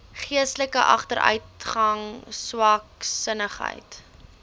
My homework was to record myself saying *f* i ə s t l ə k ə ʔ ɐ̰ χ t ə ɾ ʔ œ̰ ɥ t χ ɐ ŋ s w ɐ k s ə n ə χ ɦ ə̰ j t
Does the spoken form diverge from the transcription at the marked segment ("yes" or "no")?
yes